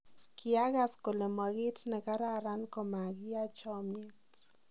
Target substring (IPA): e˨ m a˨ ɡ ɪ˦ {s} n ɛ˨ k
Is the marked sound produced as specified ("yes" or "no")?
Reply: no